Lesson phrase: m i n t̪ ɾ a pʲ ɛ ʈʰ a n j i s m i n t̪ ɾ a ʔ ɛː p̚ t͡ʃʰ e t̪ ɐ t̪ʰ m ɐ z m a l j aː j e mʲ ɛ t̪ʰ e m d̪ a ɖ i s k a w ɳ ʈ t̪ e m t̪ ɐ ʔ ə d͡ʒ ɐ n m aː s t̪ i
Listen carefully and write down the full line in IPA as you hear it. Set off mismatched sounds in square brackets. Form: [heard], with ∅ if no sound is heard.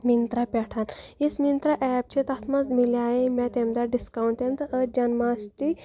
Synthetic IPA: m i n t̪ ɾ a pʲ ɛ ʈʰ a n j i s m i n t̪ ɾ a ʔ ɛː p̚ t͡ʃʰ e t̪ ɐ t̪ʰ m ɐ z m [i] l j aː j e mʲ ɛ [t̪] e m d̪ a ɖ i s k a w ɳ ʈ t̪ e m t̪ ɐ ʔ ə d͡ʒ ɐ n m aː s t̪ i